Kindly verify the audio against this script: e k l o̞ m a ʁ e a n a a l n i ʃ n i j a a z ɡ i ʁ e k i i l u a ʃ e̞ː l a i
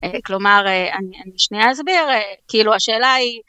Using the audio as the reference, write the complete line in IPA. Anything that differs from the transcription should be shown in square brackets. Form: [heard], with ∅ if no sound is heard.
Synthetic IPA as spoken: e k l o̞ m a ʁ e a n [i] a [∅] n i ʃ n i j a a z [b] i ʁ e k i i l u a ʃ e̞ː l a i